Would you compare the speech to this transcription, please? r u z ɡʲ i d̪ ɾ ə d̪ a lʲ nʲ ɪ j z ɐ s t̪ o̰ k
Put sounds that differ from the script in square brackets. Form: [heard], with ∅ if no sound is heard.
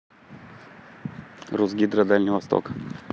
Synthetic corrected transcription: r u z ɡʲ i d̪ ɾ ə d̪ a lʲ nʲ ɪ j [v] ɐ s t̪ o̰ k